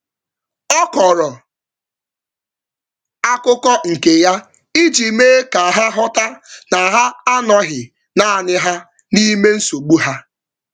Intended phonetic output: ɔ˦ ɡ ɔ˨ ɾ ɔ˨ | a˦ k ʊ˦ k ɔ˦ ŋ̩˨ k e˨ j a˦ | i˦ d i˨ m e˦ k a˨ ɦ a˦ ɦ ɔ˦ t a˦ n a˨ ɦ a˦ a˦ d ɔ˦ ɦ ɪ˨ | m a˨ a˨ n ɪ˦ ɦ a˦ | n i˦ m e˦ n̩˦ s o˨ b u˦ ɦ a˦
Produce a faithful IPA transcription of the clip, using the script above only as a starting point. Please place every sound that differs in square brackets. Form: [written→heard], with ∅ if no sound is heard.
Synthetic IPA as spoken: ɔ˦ [ɡ→k] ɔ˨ ɾ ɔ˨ | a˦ k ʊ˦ k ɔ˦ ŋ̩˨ k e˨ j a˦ | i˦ [d→d͡ʒ] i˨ m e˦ k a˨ ɦ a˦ ɦ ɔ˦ t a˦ n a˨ ɦ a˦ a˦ [d→n] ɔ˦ ɦ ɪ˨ | [m→n] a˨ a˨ n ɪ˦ ɦ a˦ | n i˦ m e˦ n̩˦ s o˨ [b→ɡ͡b] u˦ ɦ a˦